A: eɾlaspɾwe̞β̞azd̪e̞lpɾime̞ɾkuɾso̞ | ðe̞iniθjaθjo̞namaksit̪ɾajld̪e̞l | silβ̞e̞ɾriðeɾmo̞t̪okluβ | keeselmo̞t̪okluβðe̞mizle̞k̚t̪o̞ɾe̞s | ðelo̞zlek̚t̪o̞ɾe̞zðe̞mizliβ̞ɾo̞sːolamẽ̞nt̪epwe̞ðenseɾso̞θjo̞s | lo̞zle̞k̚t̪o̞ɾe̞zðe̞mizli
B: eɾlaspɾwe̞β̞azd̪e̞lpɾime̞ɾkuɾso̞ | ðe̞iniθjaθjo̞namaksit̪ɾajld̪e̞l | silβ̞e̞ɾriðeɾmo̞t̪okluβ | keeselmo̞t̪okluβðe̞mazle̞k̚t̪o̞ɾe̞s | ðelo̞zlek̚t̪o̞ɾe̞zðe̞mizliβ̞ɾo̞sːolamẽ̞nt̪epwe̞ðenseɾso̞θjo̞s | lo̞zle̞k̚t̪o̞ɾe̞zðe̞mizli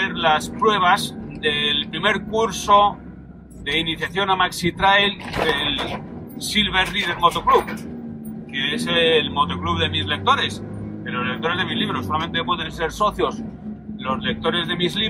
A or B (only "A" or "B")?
A